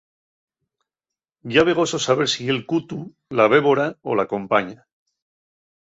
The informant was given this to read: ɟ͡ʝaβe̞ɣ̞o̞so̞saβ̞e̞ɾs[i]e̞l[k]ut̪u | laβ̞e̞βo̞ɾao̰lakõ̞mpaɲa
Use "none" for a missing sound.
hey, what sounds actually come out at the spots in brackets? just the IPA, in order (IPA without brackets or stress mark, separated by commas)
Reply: i, k